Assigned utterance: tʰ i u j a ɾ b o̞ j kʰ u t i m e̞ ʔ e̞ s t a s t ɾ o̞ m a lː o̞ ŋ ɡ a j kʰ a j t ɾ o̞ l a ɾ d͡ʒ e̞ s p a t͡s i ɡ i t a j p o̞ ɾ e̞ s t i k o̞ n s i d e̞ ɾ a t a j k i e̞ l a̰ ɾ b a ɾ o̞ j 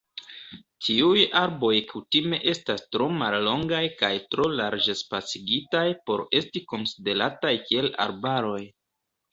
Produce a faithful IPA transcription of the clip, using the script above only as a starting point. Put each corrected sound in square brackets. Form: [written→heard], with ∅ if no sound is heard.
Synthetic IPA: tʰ i u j a ɾ b o̞ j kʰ u t i m e̞ ʔ e̞ s t a s t ɾ o̞ m a lː o̞ ŋ ɡ a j [kʰ→k] a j t ɾ o̞ l a ɾ d͡ʒ e̞ s p a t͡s i ɡ i t a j p o̞ ɾ e̞ s t i k o̞ n s i d e̞ ɾ a t a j k i e̞ l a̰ ɾ b a ɾ o̞ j